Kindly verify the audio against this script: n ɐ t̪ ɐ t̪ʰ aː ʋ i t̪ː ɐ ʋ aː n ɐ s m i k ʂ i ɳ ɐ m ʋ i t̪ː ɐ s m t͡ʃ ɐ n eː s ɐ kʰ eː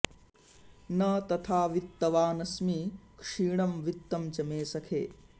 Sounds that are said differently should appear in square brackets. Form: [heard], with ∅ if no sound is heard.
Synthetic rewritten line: n ɐ t̪ ɐ t̪ʰ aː ʋ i t̪ː ɐ ʋ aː n ɐ s m i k ʂ [iː] ɳ ɐ m ʋ i t̪ː ɐ [∅] m t͡ʃ ɐ [m] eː s ɐ kʰ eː